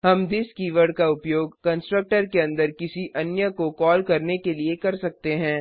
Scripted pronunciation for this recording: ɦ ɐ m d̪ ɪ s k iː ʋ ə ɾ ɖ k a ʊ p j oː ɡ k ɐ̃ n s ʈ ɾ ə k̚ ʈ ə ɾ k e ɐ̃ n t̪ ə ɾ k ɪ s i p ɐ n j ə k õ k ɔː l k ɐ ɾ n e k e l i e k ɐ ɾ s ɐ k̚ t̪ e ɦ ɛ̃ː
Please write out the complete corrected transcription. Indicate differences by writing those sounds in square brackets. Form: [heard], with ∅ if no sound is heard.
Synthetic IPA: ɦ ɐ m d̪ ɪ s k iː ʋ ə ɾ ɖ k a ʊ p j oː ɡ k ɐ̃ n s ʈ ɾ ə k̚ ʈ ə ɾ k e ɐ̃ n [d̪] ə ɾ k ɪ s i [ʔ] ɐ n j ə k [o] k ɔː l k ɐ ɾ n e k e l i e k ɐ ɾ s ɐ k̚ t̪ e ɦ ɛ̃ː